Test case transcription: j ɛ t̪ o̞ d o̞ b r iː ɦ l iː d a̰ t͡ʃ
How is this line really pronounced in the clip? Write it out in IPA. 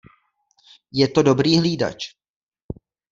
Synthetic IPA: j ɛ t̪ o̞ d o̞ b ɾ iː ɦ l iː d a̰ t͡ʃ